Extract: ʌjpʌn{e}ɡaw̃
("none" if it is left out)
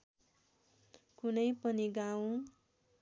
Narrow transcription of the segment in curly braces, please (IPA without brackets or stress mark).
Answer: i